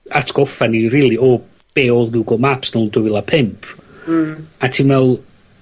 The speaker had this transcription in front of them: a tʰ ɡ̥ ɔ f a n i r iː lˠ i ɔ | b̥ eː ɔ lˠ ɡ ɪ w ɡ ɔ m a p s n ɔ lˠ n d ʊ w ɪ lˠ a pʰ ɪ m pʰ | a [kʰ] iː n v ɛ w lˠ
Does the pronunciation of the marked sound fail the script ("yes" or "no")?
yes